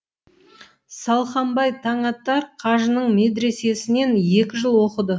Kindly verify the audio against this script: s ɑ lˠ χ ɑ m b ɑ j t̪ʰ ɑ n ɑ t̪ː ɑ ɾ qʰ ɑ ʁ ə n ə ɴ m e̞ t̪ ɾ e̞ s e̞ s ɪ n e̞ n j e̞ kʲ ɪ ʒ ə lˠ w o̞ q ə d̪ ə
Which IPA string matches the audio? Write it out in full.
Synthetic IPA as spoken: s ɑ lˠ χ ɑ m b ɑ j t̪ʰ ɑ ɴ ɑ t̪ː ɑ ɾ qʰ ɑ ʒ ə n ə ɴ m e̞ d̪ ɾ e̞ s e̞ s ɪ n e̞ n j e̞ kʲ ɪ ʒ ə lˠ w o̞ q ə d̪ ə